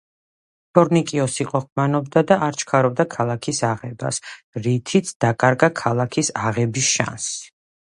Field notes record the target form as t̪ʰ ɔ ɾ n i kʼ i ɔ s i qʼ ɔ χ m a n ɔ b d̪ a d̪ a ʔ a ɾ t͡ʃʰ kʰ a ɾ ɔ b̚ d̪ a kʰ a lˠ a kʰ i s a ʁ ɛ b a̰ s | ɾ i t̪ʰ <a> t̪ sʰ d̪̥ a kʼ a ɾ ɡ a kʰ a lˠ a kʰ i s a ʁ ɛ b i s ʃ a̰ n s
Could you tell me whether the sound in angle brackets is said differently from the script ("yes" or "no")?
yes